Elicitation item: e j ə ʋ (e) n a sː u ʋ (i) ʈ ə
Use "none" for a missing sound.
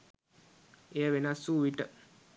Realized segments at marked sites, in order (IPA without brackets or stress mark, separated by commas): e, i